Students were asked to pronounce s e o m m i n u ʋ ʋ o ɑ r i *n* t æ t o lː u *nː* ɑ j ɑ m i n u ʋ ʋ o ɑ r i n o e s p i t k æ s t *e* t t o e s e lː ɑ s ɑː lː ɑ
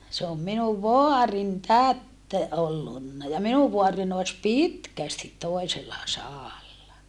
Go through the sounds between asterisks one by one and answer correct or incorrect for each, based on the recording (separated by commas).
correct, correct, incorrect